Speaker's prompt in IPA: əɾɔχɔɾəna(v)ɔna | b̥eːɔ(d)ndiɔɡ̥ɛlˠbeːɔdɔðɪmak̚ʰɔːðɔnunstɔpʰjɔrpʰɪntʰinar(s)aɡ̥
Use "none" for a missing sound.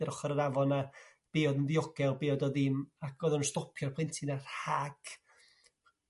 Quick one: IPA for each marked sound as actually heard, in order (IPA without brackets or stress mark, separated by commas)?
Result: v, d, h